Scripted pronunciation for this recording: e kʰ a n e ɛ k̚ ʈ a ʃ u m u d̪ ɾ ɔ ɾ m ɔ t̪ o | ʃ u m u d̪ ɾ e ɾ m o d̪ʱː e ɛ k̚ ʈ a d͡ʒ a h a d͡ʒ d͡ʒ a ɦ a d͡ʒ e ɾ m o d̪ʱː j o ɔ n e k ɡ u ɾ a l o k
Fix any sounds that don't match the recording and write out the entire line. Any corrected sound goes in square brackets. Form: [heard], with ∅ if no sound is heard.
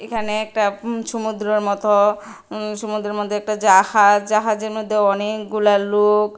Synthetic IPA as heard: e kʰ a n e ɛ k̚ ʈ a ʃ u m u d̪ ɾ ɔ ɾ m ɔ t̪ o | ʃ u m u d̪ ɾ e ɾ m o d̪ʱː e ɛ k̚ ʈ a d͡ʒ a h a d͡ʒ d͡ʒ a ɦ a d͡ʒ e ɾ m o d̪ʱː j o ɔ n e k ɡ u [l] a l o k